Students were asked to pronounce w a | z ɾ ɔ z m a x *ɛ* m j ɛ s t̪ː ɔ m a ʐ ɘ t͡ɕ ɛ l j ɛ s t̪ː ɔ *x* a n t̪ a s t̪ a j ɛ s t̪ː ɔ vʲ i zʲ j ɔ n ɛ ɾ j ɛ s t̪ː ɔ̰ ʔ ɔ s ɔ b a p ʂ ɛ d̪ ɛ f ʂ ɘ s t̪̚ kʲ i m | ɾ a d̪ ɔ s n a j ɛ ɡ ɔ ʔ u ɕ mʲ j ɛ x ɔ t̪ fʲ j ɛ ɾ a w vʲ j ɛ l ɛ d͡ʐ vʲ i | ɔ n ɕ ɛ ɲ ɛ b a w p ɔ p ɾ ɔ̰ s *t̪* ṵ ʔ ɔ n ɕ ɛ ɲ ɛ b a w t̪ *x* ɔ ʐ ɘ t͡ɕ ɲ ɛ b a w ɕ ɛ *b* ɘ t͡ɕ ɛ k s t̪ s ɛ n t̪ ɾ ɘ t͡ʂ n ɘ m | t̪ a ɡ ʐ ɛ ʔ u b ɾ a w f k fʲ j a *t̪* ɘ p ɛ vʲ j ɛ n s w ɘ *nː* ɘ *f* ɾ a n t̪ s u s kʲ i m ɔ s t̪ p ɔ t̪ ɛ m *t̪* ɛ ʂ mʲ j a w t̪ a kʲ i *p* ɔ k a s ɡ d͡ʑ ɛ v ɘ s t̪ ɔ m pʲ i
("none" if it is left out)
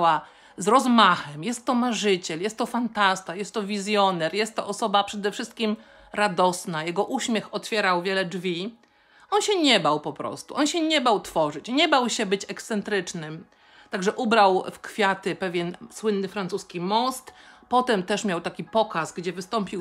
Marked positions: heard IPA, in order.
ɛ, f, t̪, f, b, t̪, nː, f, t̪, p

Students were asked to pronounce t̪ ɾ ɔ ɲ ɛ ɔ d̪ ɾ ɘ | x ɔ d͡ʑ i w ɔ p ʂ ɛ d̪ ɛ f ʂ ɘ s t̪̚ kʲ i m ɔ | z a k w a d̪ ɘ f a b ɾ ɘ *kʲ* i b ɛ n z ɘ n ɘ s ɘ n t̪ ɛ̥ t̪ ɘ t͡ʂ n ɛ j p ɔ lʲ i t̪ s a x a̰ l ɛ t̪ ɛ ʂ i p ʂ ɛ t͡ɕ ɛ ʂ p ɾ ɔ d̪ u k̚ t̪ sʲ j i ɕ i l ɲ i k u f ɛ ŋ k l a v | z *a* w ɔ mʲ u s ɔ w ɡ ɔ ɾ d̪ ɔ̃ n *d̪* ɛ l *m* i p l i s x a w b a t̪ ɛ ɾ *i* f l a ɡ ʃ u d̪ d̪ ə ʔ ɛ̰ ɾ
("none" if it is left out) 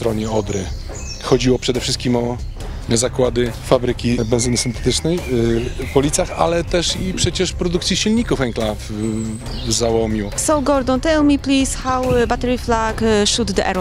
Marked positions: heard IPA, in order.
kʲ, a, t̪, m, i

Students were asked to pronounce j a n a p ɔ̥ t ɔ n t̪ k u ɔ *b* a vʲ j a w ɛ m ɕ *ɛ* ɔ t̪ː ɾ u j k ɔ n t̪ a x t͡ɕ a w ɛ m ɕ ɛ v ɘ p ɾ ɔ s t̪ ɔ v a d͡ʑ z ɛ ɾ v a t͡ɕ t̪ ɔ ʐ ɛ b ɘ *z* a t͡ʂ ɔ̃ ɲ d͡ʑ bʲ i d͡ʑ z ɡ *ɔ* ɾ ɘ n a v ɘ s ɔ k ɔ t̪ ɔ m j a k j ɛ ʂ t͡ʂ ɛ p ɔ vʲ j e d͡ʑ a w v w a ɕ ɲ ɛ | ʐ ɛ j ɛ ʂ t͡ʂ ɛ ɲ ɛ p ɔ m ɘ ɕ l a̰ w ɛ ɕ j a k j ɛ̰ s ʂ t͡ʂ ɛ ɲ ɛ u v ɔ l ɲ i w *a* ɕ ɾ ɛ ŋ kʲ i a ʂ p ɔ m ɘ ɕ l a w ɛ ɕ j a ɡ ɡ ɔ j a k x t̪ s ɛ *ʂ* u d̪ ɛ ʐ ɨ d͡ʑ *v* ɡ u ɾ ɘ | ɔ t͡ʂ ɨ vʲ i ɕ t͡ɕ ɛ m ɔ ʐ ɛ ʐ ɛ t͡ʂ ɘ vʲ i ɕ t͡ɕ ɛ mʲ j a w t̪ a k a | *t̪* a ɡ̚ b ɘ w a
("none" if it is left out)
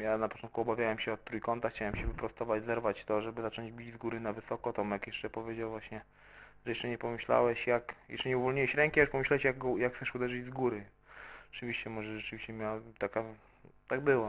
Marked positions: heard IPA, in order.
b, ɛ, z, u, ɛ, ʂ, z, t̪

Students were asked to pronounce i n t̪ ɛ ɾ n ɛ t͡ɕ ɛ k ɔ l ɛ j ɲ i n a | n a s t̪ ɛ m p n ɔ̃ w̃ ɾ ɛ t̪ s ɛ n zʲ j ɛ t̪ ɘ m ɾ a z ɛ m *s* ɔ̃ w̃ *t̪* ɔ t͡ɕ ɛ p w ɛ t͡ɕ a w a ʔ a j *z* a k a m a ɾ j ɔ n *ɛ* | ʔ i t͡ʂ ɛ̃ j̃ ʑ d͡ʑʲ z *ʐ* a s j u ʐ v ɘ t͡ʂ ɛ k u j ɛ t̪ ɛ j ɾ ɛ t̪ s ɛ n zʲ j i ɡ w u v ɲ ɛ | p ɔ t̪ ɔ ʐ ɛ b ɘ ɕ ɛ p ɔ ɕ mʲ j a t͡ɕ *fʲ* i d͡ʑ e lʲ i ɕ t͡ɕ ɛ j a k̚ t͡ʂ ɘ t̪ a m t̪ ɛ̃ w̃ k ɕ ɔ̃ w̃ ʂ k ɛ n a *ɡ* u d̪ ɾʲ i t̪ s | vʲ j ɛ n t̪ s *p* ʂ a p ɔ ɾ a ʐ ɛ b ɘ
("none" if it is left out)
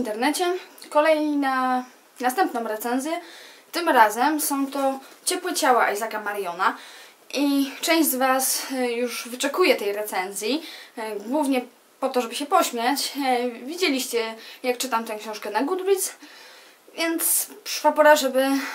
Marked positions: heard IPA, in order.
s, t̪, z, a, v, vʲ, ɡ, p

